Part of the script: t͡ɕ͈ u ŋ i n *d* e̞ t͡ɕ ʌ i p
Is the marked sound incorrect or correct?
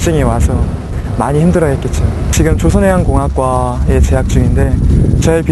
correct